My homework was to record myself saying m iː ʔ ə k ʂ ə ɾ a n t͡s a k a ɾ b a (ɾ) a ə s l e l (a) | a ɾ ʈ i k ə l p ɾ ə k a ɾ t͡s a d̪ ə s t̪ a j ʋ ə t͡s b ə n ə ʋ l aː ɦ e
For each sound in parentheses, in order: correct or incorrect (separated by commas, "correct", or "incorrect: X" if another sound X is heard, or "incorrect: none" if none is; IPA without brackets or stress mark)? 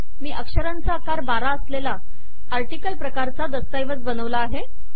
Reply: correct, correct